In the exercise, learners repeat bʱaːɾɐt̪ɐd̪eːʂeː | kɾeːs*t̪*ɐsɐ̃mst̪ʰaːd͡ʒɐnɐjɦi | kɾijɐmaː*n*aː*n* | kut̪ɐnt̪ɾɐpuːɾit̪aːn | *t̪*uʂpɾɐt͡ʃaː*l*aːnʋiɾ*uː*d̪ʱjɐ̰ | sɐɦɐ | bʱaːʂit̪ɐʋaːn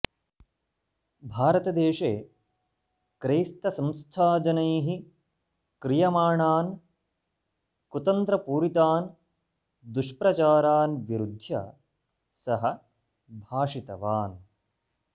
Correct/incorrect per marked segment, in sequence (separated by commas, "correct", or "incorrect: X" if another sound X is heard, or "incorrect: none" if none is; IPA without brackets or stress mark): correct, incorrect: ɳ, correct, incorrect: d̪, incorrect: ɾ, incorrect: u